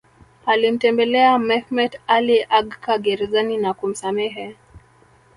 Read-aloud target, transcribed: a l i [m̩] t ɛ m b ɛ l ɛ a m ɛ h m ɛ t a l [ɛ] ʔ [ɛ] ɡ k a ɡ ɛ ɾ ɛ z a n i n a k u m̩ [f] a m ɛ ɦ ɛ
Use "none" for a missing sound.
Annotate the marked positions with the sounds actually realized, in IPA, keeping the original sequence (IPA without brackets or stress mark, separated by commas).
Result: m̩, i, a, s